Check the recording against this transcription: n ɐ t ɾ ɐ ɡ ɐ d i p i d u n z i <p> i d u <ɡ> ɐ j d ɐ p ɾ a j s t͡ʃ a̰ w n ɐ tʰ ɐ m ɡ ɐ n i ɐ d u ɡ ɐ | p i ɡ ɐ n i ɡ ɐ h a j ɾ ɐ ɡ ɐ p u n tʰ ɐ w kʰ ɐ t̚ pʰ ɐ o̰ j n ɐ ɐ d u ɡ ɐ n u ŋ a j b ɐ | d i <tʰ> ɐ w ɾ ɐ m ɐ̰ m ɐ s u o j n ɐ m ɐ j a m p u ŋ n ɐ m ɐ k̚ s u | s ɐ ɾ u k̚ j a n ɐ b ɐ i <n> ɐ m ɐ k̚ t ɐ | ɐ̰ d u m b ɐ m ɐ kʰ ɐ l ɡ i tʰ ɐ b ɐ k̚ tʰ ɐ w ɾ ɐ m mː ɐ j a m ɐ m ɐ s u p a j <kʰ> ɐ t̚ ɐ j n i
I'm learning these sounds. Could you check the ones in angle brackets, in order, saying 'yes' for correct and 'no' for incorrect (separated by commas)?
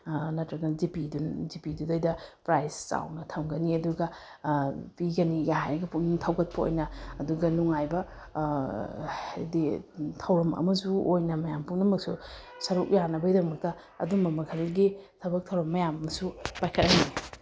yes, no, yes, no, yes